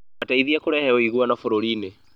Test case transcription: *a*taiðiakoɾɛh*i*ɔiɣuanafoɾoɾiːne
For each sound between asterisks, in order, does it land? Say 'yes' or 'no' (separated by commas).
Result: yes, no